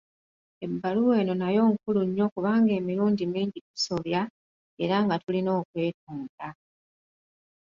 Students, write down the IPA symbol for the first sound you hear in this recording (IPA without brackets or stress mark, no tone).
e̞